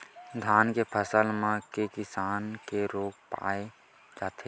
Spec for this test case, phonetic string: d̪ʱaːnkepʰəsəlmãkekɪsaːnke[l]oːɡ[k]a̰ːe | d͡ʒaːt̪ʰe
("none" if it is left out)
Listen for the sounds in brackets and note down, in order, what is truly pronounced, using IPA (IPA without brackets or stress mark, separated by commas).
ɾ, p